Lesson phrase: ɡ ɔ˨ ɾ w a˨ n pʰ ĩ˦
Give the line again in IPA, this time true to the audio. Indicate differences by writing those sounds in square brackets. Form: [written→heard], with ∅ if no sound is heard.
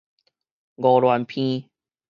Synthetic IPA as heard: ɡ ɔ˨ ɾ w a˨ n pʰ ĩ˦